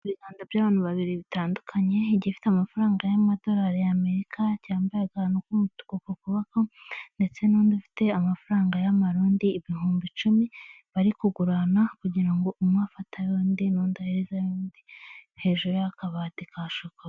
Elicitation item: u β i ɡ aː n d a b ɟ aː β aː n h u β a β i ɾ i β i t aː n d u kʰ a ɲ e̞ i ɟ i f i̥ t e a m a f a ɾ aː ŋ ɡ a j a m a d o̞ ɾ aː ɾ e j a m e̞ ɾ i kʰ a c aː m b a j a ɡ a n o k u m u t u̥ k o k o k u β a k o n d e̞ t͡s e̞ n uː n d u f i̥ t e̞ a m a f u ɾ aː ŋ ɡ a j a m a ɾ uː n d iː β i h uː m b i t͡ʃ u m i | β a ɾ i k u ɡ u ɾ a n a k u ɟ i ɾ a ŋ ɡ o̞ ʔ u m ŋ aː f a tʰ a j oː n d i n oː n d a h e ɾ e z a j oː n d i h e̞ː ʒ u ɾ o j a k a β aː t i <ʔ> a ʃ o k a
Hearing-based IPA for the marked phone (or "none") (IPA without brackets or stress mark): k